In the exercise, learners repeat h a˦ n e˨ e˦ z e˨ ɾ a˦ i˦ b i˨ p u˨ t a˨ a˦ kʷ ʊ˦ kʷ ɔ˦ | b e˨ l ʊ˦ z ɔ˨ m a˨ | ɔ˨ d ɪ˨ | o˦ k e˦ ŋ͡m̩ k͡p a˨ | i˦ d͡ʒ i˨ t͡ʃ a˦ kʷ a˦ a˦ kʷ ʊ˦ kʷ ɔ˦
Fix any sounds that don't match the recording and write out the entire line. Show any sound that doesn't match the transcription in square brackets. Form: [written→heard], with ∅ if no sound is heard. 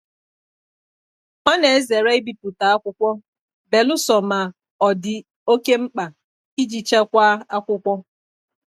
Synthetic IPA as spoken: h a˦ n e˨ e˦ z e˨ ɾ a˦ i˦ b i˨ p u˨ t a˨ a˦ kʷ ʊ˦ kʷ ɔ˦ | b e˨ l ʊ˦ [z→s] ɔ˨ m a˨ | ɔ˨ d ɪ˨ | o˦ k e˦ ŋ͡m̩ k͡p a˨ | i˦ d͡ʒ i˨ t͡ʃ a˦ kʷ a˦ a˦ kʷ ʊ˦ kʷ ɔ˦

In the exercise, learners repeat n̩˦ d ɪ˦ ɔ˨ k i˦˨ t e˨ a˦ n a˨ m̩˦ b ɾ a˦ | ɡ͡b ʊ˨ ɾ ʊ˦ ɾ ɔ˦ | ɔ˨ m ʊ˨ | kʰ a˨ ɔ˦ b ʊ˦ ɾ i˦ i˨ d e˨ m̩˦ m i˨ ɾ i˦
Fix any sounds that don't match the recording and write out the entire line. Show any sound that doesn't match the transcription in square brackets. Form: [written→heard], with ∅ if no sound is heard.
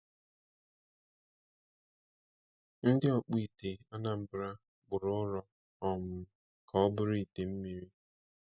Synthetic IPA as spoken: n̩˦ d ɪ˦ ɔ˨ [k→k͡p] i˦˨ t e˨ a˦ n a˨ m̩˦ b ɾ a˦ | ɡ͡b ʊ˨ ɾ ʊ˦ ɾ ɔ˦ | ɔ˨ m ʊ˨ | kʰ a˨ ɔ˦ b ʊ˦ ɾ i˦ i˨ [d→t] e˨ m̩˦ m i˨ ɾ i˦

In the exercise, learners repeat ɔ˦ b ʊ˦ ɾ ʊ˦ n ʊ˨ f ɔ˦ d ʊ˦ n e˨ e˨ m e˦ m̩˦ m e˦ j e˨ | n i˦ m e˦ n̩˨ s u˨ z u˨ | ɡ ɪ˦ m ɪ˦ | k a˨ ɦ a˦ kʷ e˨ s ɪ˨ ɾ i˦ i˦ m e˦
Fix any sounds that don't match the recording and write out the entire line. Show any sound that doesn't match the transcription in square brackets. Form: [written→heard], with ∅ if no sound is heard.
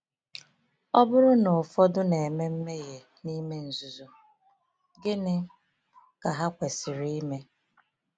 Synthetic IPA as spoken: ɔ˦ b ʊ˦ ɾ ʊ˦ n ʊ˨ f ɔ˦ d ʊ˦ n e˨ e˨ m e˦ m̩˦ m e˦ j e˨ | n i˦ m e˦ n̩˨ [s→z] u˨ z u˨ | ɡ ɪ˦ [m→n] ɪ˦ | k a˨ ɦ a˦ kʷ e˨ s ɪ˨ ɾ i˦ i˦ m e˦

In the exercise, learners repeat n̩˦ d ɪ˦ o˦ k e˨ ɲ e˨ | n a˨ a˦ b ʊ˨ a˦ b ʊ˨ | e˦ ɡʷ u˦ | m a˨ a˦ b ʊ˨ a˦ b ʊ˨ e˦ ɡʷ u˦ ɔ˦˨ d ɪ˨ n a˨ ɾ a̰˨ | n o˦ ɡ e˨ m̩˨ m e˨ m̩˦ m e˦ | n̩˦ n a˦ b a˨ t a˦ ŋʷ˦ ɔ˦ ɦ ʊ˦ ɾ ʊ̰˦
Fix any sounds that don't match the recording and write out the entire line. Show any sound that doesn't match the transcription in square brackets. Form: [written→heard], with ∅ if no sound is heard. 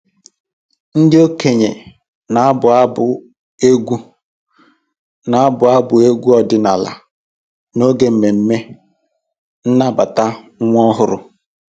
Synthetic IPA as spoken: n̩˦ d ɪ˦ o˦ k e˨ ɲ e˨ | n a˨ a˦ b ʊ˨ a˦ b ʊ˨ | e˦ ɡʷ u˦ | [m→n] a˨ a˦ b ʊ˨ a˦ b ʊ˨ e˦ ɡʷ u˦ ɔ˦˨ d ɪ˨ n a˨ [ɾ→l] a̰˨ | n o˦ ɡ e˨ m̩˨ m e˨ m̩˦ m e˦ | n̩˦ n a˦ b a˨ t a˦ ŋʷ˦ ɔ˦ ɦ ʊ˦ ɾ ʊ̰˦

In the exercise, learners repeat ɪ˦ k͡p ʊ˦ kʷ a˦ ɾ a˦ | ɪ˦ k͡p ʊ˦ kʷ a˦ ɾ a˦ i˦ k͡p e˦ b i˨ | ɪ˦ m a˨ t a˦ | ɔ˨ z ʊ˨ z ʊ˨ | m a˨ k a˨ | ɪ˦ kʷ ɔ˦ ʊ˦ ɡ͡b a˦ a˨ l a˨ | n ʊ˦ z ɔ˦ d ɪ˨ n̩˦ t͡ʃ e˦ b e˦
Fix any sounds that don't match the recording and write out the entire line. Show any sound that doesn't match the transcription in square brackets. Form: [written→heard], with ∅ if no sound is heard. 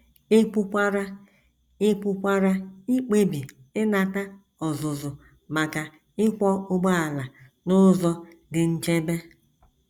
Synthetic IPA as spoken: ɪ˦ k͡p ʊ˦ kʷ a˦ ɾ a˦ | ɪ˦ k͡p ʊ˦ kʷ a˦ ɾ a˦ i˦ k͡p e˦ b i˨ | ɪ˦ [m→n] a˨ t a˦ | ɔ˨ z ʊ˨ z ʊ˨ | m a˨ k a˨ | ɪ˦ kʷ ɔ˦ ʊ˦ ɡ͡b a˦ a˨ l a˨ | n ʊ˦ z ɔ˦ d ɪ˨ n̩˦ t͡ʃ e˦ b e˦

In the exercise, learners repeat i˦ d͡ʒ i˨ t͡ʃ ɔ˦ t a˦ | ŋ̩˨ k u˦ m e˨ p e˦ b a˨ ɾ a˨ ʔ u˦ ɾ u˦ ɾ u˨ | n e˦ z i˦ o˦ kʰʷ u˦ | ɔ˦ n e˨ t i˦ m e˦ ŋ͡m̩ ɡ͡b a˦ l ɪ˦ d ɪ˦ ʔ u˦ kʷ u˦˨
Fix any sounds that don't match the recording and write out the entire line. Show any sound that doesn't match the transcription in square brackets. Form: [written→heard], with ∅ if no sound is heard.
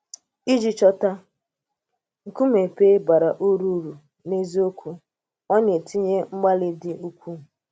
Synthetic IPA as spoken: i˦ d͡ʒ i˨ t͡ʃ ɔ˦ t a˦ | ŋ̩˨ k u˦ m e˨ p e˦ b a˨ ɾ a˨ ʔ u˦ ɾ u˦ ɾ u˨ | n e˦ z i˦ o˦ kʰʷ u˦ | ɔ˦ [n→ɲ] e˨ t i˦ [m→ɲ] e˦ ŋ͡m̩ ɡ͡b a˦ l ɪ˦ d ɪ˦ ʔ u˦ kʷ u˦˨

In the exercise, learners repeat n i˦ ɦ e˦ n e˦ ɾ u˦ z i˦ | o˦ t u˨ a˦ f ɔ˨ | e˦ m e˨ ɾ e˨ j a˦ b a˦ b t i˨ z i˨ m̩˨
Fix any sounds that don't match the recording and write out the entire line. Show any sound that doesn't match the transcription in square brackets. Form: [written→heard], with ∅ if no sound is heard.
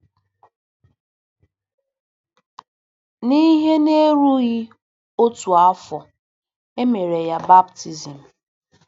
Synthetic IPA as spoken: n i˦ ɦ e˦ n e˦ ɾ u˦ [z→ɣ] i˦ | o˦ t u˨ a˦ f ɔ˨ | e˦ m e˨ ɾ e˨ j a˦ b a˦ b t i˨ z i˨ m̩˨

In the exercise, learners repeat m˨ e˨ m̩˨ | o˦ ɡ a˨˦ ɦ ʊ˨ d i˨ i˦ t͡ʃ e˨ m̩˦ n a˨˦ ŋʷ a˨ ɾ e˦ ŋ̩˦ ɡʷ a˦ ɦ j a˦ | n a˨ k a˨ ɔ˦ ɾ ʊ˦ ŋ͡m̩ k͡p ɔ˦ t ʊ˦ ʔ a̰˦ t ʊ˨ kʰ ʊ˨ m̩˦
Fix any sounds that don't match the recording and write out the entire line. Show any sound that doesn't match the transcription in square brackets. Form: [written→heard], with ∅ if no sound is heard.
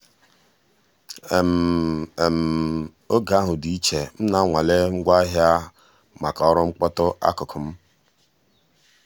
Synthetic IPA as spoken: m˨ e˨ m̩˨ | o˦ ɡ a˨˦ ɦ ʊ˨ d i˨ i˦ t͡ʃ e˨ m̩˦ n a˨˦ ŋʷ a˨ [ɾ→l] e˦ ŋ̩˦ ɡʷ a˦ ɦ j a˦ | [n→m] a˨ k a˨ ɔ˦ ɾ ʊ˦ ŋ͡m̩ k͡p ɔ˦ t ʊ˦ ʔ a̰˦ [t→k] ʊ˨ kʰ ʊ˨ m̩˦

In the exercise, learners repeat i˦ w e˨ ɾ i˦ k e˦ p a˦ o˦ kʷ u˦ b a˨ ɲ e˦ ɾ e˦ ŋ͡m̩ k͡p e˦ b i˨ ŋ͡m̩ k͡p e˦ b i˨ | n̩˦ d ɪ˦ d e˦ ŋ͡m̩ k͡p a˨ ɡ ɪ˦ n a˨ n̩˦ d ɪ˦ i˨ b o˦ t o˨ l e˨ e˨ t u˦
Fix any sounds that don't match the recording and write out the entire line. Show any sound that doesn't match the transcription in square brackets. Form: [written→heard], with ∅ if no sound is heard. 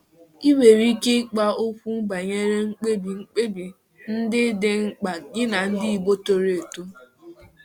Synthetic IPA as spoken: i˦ w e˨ ɾ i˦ k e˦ [p→k͡p] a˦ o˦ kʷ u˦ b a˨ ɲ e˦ ɾ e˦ ŋ͡m̩ k͡p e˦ b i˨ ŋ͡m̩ k͡p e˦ b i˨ | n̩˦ d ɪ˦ d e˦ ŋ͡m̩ k͡p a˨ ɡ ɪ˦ n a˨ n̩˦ d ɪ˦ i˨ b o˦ t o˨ [l→ɾ] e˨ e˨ t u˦

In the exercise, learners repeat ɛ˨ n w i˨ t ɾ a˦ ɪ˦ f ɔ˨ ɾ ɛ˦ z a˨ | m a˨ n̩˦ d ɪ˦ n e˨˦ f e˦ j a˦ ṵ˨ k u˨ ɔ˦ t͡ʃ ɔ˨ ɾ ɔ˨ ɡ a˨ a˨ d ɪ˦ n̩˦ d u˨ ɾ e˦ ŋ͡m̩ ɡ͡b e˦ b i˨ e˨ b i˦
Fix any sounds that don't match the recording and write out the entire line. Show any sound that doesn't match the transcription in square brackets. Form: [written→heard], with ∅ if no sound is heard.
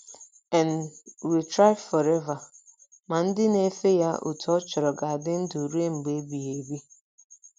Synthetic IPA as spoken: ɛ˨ n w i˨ t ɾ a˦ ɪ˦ f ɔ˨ ɾ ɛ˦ [z→v] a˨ | m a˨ n̩˦ d ɪ˦ n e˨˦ f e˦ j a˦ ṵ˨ [k→t] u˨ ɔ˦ t͡ʃ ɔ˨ ɾ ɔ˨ ɡ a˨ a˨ d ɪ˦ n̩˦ d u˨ ɾ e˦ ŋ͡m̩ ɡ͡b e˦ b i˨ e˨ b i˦

